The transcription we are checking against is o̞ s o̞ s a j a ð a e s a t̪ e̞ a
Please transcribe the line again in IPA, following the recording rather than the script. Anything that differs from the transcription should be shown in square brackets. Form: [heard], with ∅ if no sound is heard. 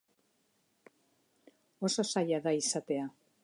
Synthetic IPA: o̞ s o̞ s a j a ð a [i] s a t̪ e̞ a